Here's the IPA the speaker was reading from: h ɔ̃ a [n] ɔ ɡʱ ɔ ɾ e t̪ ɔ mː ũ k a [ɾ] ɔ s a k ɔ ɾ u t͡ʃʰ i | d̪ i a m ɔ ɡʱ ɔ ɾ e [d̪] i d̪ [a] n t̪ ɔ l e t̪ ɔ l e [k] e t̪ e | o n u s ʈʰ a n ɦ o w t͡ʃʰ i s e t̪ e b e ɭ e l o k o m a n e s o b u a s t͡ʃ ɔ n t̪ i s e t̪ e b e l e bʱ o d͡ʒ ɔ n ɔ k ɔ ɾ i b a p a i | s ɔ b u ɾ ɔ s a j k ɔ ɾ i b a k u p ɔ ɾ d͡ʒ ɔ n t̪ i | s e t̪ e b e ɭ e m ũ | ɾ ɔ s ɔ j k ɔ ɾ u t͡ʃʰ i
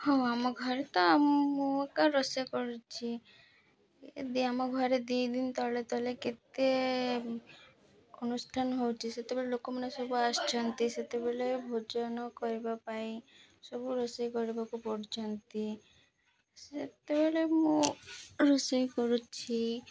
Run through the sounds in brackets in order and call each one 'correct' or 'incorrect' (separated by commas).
incorrect, correct, correct, incorrect, correct